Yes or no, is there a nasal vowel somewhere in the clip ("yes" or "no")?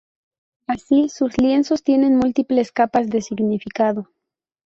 no